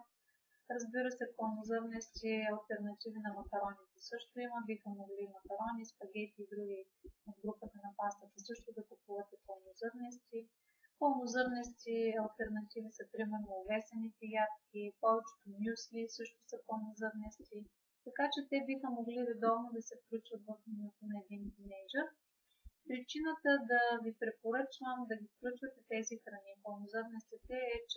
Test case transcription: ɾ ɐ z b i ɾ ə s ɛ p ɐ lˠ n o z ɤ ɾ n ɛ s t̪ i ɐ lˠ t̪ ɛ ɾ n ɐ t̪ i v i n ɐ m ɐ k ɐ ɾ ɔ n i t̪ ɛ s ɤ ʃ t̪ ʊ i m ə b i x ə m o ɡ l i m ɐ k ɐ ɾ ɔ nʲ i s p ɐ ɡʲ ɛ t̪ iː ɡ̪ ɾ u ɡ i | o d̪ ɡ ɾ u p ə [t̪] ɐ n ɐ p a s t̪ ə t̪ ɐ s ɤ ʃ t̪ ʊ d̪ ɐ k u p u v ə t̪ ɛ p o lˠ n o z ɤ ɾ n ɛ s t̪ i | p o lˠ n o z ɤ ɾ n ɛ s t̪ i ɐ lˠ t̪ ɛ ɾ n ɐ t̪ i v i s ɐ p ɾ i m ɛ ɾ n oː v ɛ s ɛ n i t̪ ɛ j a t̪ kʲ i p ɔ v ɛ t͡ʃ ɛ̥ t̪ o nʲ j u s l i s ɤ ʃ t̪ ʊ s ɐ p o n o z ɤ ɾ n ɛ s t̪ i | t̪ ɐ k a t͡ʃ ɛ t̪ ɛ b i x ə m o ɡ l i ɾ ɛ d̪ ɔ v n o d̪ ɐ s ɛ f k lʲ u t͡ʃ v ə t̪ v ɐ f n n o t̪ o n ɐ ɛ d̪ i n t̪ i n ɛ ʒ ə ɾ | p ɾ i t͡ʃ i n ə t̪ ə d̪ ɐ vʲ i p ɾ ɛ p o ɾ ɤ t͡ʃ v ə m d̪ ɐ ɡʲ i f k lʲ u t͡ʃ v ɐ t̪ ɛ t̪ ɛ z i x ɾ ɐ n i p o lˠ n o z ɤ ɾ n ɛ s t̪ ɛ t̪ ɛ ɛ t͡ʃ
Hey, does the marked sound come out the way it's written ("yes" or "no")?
yes